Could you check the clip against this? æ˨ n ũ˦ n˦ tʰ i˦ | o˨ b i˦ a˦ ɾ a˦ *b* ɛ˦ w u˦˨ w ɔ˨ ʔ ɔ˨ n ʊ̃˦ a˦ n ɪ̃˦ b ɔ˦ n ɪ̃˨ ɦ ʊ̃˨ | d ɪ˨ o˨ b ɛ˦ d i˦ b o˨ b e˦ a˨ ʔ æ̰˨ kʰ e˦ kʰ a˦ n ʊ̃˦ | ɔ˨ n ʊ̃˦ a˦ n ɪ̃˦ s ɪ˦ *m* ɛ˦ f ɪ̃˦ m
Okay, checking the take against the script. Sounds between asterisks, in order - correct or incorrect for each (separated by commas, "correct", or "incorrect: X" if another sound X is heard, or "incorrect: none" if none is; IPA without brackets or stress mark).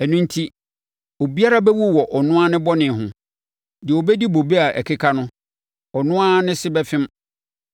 correct, incorrect: b